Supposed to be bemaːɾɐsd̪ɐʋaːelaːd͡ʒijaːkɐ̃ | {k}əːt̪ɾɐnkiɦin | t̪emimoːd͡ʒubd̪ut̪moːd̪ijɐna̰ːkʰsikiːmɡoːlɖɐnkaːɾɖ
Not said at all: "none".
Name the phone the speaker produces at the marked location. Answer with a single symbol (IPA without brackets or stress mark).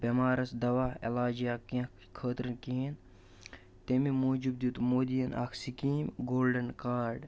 kʰ